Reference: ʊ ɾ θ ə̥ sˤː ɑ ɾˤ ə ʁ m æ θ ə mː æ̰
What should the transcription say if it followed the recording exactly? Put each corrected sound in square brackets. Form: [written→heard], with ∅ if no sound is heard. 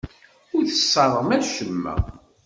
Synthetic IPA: ʊ ɾ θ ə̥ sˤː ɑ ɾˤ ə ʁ m æ [θ→ʃ] ə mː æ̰